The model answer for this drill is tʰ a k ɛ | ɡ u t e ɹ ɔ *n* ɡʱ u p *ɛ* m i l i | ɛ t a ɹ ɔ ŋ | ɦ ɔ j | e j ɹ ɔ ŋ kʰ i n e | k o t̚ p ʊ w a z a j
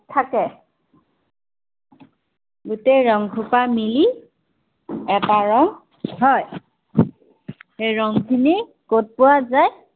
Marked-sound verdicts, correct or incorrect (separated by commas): incorrect, incorrect